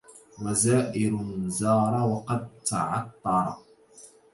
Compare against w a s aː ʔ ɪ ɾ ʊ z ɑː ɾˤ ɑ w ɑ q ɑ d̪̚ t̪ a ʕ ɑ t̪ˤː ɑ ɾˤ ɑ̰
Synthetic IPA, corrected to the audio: w a z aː ʔ ɪ ɾ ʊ z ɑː ɾˤ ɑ w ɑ q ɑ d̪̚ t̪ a ʕ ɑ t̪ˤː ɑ ɾˤ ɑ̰